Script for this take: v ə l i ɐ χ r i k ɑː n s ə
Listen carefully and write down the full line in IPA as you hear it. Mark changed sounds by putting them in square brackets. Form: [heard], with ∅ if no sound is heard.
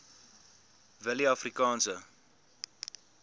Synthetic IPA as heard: v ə l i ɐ [f] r i k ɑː n s ə